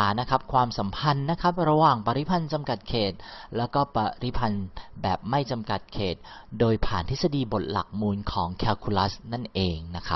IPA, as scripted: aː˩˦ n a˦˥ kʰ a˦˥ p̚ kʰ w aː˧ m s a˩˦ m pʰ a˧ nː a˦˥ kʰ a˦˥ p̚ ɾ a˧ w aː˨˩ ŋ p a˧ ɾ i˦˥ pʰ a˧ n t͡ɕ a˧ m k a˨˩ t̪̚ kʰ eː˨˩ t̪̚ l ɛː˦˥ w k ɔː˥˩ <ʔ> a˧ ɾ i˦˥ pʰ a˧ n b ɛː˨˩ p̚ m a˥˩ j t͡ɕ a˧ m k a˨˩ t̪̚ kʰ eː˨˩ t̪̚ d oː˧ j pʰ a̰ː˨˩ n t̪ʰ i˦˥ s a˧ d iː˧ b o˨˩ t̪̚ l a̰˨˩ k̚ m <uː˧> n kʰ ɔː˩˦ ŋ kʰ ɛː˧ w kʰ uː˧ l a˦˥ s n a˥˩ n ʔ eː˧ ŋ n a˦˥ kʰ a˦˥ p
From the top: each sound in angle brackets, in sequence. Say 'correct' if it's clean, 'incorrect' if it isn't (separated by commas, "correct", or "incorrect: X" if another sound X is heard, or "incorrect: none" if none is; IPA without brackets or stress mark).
incorrect: p, correct